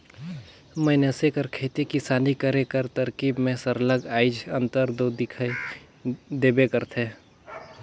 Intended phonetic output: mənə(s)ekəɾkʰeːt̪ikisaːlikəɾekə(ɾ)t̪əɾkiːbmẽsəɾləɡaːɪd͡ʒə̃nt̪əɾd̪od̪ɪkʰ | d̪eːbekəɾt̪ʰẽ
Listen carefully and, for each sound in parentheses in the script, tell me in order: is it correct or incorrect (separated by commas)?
correct, correct